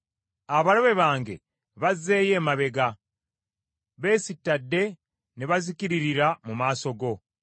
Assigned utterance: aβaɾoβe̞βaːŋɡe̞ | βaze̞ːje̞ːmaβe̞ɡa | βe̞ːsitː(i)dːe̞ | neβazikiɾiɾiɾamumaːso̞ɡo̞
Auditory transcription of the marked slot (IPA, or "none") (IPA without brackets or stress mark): a